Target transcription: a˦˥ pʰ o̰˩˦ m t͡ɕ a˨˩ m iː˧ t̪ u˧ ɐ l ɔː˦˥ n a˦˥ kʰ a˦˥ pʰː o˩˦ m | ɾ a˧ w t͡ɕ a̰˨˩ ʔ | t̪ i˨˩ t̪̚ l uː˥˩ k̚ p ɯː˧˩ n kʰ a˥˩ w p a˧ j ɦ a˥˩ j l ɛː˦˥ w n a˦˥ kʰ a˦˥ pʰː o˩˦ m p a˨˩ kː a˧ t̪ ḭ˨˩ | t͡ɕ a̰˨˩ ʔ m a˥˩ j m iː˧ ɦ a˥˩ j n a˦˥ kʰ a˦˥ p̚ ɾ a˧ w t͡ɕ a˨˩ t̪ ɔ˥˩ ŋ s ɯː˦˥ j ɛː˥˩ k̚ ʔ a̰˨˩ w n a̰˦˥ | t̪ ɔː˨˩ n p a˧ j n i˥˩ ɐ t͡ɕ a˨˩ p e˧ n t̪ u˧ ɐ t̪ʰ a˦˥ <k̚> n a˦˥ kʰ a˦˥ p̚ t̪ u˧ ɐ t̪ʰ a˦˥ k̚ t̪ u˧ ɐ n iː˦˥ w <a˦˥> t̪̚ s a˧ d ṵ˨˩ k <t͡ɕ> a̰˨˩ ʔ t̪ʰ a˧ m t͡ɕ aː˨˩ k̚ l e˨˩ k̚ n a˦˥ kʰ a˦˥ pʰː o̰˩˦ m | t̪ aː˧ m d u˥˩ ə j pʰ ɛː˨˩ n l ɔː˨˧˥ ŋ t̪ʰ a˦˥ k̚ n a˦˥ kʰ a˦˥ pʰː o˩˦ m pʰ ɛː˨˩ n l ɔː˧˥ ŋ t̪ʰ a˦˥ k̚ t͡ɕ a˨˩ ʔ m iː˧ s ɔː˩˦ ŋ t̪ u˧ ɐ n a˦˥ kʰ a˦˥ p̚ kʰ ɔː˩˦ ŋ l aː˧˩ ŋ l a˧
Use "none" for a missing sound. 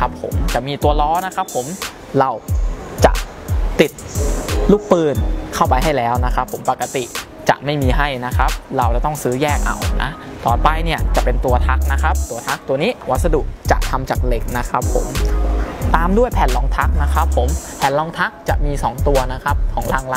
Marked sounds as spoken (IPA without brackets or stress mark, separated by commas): k̚, a˦˥, t͡ɕ